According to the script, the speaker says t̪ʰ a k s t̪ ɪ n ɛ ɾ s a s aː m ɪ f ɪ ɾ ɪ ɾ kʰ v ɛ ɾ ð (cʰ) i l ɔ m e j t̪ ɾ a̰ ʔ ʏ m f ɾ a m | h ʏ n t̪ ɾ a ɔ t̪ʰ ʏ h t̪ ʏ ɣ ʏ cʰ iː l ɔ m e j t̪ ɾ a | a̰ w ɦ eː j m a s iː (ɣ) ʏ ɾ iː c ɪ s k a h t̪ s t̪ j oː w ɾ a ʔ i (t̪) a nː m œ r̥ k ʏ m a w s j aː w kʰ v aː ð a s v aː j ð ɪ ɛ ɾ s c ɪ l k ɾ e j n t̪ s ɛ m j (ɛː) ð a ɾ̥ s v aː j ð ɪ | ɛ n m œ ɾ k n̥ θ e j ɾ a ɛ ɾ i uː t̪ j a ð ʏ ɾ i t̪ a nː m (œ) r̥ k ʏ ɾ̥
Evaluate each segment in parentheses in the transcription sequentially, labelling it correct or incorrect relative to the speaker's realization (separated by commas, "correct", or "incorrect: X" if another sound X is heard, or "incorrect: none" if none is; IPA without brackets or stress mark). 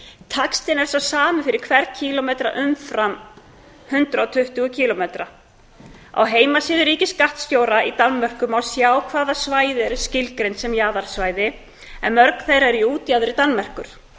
correct, incorrect: ð, correct, incorrect: aː, incorrect: ɛ